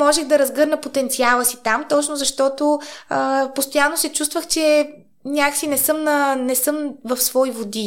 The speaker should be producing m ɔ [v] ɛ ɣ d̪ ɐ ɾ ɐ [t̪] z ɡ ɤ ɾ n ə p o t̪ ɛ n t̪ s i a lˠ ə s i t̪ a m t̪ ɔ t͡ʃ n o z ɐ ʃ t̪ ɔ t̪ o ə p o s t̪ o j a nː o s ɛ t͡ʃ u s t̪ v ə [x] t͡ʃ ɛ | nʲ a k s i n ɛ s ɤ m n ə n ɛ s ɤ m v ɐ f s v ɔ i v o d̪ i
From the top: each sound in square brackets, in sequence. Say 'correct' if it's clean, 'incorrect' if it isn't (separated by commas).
incorrect, incorrect, correct